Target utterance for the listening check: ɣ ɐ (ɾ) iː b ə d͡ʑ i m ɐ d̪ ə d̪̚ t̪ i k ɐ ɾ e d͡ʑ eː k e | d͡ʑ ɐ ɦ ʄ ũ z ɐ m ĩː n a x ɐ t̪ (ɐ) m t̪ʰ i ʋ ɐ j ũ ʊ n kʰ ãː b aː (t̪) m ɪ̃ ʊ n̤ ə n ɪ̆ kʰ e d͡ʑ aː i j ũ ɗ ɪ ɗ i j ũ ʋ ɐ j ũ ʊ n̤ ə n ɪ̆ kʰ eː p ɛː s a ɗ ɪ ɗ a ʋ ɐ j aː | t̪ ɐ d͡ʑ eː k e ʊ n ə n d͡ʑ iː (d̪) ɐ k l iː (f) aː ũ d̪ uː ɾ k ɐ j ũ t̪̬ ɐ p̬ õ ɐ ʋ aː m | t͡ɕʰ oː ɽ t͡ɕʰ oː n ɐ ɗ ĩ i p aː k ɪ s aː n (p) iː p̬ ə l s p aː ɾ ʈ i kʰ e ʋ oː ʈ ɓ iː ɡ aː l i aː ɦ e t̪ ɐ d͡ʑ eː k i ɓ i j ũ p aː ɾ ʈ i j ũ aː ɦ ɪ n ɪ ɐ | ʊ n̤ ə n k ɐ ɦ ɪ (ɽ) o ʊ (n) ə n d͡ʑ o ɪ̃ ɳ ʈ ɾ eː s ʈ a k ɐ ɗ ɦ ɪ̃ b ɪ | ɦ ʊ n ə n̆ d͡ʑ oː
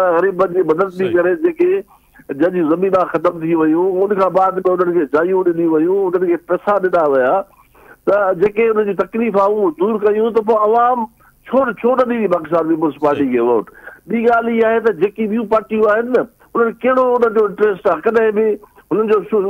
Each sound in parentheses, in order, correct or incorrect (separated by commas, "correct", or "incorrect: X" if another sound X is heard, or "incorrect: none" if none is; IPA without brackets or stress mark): correct, incorrect: ə, incorrect: d̪, incorrect: t̪, correct, correct, correct, correct